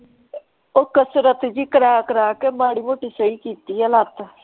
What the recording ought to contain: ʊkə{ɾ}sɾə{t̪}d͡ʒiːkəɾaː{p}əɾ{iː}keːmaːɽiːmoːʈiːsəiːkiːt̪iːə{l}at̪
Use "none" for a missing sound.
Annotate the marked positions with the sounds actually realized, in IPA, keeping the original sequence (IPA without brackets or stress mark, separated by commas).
none, t̪, k, aː, l